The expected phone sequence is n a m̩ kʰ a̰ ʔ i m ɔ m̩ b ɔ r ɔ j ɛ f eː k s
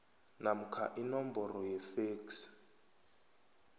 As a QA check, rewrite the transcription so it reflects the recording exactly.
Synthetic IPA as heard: n a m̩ kʰ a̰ ʔ i n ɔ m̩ b ɔ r ɔ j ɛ f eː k s